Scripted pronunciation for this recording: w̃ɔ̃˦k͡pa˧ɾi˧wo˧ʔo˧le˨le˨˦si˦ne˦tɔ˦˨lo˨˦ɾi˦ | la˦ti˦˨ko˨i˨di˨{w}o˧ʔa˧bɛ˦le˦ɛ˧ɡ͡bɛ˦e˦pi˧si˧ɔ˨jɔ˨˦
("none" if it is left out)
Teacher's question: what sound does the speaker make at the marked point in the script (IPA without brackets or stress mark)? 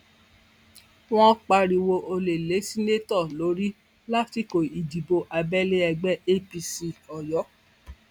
b